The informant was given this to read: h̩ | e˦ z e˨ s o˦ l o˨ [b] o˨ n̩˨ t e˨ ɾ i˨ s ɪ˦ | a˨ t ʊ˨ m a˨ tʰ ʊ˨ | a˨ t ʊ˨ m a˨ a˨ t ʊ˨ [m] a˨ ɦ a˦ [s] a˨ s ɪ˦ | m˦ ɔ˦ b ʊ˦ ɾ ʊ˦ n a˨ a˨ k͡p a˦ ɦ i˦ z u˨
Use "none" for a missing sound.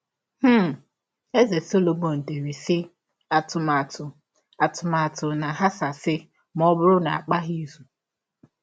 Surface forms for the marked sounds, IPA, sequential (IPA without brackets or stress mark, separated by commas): m, n, s